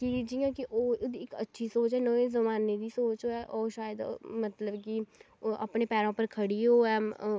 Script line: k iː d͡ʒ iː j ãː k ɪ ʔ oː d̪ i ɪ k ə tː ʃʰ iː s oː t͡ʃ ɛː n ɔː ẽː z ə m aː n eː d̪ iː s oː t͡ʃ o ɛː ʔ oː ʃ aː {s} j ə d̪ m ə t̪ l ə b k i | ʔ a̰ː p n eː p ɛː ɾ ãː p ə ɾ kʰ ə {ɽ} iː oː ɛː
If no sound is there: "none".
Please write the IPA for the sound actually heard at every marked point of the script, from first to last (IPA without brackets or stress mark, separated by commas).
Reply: none, ɽ